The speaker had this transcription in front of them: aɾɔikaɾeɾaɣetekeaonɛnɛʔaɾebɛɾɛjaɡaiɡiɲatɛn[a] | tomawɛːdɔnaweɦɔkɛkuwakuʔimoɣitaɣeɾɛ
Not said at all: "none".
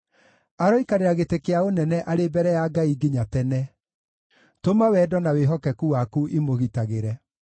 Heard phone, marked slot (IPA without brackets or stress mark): ɛ